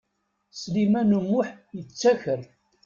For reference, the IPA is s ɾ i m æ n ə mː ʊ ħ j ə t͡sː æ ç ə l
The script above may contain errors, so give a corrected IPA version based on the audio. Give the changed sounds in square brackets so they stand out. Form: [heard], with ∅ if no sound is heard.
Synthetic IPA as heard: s [l] i m æ n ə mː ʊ ħ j ə t͡sː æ ç ə [ɾ]